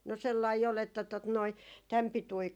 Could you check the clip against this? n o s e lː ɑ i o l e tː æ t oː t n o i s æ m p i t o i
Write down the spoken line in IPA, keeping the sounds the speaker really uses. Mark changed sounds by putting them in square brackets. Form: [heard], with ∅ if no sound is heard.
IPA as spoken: n o s e lː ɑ i o l e tː æ t [o] t n o i [t] æ m p i t [u] i